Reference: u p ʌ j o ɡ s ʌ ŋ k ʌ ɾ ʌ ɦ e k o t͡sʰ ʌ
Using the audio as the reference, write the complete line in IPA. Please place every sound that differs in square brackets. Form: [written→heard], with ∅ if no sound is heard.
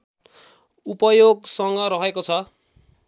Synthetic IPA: u p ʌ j o ɡ s ʌ ŋ [k→ɡ] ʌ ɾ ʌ ɦ e k o t͡sʰ ʌ